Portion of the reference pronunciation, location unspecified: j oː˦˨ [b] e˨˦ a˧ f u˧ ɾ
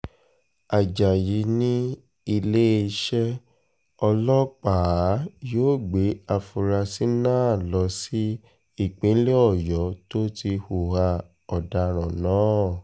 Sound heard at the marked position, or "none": ɡ͡b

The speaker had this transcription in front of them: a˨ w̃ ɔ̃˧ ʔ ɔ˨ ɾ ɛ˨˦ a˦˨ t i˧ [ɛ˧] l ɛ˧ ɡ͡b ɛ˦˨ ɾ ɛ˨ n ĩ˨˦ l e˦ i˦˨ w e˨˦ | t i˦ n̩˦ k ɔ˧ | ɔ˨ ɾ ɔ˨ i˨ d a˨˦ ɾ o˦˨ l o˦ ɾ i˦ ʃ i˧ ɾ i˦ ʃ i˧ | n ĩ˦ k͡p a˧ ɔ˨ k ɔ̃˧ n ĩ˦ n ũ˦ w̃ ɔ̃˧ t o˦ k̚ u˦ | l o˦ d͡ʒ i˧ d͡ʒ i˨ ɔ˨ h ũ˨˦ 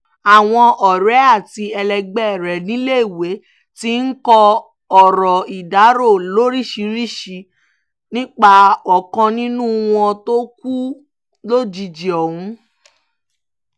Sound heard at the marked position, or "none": ɛ˧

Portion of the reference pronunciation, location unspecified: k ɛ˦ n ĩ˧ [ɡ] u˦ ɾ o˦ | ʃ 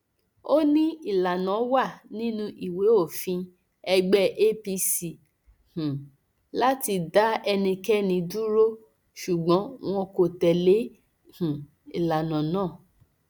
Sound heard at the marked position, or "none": d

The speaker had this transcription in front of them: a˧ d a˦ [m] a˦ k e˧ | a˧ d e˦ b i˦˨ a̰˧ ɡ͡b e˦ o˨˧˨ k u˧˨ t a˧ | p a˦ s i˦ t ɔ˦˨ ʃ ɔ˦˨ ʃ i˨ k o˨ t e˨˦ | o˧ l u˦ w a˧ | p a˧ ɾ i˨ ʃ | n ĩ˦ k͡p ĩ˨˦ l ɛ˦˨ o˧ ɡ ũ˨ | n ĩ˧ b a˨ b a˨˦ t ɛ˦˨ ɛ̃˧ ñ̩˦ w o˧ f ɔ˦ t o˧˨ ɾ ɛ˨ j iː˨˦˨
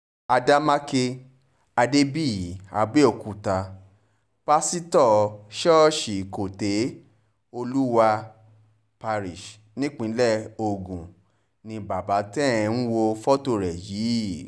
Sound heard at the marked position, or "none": m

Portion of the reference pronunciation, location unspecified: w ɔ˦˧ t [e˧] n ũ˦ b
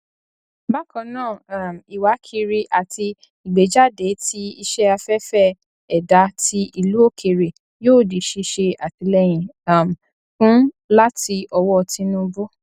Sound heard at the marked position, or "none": i˧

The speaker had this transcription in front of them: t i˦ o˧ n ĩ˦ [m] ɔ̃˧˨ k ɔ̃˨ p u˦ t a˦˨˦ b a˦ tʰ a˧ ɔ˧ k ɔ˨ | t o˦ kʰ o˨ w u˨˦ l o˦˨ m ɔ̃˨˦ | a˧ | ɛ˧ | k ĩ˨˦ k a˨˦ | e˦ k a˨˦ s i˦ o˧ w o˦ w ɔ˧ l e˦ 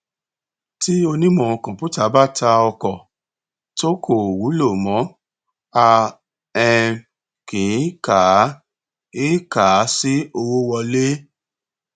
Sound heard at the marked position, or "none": m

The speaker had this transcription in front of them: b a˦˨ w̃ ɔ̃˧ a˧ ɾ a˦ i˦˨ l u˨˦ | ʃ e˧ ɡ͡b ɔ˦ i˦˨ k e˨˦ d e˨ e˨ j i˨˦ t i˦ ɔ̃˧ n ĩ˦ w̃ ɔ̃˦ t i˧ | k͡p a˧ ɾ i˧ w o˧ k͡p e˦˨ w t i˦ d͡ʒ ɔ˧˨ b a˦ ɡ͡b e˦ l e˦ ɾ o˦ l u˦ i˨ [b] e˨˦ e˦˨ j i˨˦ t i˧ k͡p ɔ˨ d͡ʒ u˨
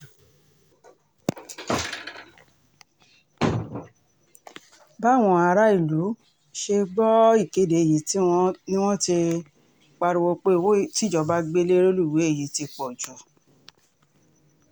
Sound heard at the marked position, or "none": w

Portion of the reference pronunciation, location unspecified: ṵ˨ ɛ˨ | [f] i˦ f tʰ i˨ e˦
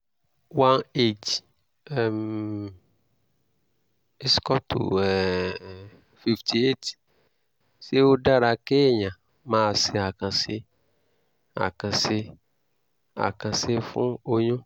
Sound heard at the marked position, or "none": f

